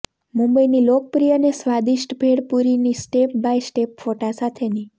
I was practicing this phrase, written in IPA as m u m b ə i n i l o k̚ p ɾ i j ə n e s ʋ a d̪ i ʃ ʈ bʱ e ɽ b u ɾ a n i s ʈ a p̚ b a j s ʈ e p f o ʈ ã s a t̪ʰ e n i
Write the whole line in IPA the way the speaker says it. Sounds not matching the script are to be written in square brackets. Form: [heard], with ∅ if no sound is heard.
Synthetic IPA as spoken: m u m b ə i n i l o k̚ p ɾ i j ə n e s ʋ a d̪ i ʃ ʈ bʱ e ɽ [p] u ɾ [i] n i s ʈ [e] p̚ b a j s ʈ e p f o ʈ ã s a t̪ʰ e n i